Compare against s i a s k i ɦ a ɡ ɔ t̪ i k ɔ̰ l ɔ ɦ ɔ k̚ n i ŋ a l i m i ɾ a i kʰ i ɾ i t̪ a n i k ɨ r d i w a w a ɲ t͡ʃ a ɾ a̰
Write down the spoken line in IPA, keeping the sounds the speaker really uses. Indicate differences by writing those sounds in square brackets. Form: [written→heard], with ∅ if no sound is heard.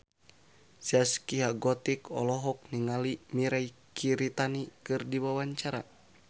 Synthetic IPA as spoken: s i a s k i ɦ a ɡ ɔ t̪ i k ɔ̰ l ɔ ɦ ɔ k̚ n i ŋ a l i m i ɾ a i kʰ i ɾ i t̪ a n i k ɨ r d i w a w a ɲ t͡ʃ a ɾ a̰